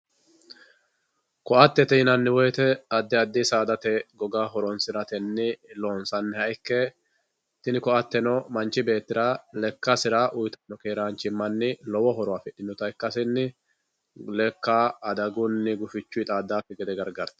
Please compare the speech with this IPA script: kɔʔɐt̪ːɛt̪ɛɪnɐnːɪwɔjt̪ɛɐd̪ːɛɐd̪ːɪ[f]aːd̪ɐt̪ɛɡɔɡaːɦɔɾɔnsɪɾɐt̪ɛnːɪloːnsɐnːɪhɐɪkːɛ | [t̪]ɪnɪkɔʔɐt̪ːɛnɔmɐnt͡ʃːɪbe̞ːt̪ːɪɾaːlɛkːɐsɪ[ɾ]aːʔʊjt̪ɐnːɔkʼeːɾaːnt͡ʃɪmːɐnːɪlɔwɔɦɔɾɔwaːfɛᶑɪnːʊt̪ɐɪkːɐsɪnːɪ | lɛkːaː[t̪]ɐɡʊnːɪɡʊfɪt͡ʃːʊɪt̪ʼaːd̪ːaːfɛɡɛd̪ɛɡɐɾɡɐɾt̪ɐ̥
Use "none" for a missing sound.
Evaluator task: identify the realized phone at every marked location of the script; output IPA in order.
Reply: s, t̪, ɾ, d̪

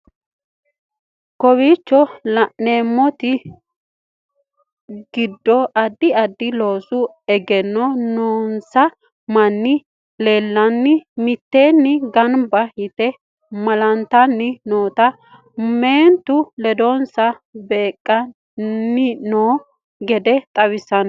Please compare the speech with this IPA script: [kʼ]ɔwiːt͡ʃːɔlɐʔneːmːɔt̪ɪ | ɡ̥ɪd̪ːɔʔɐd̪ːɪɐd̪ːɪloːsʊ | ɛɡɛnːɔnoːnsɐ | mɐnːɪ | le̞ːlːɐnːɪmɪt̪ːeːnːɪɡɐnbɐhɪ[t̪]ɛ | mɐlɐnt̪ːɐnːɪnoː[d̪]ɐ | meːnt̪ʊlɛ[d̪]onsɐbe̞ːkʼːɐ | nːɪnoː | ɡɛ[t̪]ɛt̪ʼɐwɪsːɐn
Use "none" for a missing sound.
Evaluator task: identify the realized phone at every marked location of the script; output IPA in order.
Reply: k, t̪, t̪, d̪, d̪

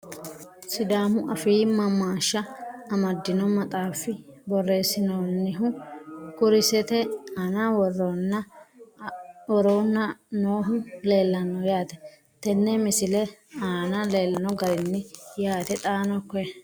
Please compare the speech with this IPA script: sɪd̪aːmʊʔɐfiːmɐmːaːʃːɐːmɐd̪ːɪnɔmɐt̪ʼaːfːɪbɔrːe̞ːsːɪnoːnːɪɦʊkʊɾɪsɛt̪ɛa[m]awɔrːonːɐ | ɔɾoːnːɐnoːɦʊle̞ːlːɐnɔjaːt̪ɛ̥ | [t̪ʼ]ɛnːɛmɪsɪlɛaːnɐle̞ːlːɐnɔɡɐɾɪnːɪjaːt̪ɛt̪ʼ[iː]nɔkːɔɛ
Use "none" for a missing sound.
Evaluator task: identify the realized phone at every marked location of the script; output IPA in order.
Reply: n, t̪, aː

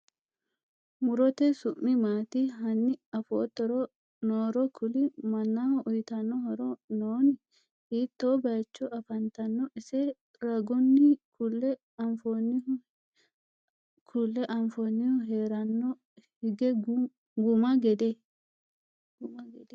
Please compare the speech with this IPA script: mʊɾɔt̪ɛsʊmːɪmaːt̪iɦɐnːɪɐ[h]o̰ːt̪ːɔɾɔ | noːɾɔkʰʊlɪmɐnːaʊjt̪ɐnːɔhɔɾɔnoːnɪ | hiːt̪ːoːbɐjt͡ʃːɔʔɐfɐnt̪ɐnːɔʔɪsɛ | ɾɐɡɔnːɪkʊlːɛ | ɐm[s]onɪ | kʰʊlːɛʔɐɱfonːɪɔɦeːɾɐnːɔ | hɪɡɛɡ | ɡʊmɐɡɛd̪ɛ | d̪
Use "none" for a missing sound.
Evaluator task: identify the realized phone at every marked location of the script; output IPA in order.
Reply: f, f

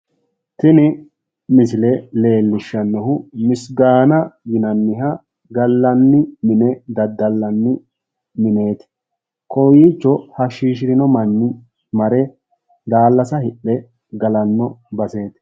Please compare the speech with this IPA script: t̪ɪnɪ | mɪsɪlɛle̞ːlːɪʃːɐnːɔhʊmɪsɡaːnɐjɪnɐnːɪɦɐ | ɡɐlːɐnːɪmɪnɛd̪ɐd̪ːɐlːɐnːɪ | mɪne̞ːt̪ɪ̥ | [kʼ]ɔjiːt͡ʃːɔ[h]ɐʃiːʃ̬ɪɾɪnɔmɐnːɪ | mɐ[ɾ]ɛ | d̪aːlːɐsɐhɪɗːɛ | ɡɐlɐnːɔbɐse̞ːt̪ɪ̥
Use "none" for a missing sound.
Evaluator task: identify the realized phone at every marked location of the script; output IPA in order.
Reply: k, h, ɾ

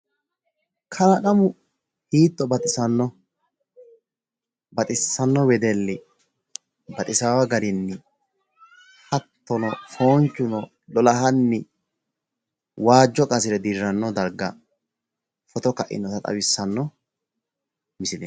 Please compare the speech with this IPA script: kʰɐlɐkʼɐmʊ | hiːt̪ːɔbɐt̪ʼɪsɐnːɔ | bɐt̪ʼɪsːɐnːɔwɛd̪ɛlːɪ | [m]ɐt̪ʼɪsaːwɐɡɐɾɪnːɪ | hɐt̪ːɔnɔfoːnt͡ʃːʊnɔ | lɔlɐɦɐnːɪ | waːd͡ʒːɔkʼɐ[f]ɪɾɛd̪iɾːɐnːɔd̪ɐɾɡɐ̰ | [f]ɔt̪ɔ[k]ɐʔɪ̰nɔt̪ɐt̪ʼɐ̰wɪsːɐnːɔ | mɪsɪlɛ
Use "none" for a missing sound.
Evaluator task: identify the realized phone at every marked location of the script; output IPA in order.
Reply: b, s, f, k

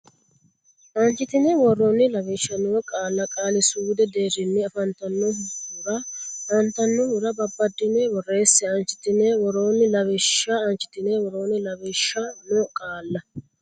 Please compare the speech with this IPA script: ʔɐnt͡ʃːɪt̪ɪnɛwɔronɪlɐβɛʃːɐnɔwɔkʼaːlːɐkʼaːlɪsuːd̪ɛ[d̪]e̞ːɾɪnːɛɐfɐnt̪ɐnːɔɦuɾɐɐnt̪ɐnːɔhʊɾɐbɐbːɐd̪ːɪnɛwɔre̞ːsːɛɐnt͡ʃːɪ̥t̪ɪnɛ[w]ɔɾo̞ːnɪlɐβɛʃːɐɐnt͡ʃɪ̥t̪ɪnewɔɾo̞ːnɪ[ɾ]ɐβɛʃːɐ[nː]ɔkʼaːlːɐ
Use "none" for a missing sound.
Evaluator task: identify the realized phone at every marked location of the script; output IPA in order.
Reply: d̪, w, l, n

